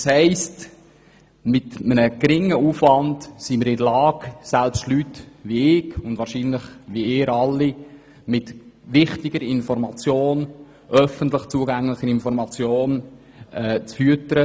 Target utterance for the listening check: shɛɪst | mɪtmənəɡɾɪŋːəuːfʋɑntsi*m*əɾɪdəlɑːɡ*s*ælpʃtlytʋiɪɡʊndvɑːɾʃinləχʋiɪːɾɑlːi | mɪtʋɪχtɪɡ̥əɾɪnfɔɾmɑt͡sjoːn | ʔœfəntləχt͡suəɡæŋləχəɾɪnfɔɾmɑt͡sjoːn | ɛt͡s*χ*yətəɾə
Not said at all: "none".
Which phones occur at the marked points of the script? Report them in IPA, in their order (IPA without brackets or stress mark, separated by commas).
m, s, f